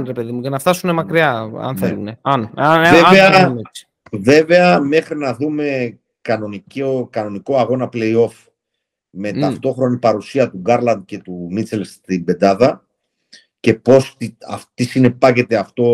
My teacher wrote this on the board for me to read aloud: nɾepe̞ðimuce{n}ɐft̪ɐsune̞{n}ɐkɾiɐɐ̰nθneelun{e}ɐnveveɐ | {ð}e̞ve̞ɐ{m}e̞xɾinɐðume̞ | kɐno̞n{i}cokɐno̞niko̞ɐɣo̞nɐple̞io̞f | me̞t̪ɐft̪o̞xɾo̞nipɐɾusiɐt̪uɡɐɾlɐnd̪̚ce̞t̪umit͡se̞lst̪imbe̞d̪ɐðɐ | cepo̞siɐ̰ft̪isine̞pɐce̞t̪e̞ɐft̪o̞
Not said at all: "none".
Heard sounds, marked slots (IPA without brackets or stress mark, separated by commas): n, m, e, v, m, i